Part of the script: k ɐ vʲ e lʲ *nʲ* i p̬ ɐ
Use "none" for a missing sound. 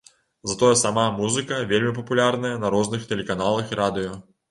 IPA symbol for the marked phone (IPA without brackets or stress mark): mʲ